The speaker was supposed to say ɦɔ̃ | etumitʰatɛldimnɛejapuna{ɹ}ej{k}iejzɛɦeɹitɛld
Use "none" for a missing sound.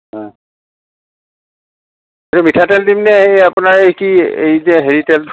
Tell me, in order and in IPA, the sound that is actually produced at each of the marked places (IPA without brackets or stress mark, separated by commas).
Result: ɹ, k